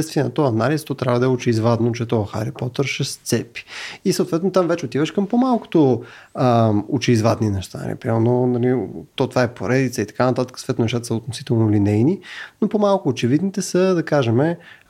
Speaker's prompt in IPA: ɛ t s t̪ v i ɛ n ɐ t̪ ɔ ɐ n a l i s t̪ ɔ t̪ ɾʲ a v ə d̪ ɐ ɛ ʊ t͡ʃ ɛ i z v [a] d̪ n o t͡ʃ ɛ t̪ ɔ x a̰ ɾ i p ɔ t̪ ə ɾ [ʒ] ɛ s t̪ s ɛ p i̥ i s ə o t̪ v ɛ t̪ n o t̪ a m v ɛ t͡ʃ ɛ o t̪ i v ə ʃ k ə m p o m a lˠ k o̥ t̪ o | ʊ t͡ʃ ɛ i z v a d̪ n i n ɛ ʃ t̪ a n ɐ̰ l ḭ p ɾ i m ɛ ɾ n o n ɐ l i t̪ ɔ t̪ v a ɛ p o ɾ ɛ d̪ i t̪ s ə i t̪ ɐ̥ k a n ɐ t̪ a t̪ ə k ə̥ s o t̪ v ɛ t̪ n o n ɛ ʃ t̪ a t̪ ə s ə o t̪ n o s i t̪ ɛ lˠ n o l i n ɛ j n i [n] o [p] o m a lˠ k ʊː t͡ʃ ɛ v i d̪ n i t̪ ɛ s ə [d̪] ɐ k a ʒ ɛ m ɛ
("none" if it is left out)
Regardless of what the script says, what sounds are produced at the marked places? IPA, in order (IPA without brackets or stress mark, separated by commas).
a, ʃ, n, p, d̪